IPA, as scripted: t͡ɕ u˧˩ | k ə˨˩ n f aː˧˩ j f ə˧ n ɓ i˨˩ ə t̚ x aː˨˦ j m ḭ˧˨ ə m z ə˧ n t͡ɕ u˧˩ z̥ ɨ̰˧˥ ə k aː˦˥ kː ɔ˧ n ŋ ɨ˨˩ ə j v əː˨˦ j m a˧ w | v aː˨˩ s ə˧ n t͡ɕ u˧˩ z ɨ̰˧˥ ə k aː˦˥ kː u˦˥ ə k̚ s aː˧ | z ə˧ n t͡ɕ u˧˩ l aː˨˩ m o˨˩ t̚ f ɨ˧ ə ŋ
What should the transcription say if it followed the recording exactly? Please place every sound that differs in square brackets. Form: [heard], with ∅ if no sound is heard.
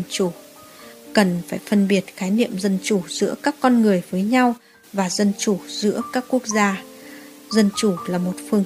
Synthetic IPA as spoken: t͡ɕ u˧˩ | k ə˨˩ n f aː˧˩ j f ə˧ n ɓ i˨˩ ə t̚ x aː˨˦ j [n] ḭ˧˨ ə m z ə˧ n t͡ɕ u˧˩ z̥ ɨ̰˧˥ ə k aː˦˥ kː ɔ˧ n ŋ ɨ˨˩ ə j v əː˨˦ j [ɲ] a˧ w | v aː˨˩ [z] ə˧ n t͡ɕ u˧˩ z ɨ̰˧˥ ə k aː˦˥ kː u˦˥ ə k̚ [z] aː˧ | z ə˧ n t͡ɕ u˧˩ l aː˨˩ m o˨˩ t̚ f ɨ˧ ə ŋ